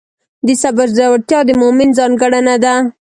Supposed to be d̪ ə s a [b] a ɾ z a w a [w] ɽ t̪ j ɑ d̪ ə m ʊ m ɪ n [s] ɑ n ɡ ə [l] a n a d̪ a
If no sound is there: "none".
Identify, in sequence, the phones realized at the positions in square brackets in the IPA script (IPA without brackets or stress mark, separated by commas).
b, none, z, ɽ